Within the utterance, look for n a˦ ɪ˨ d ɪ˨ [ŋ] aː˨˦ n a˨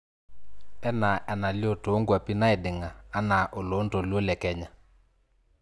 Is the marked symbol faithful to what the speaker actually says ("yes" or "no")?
yes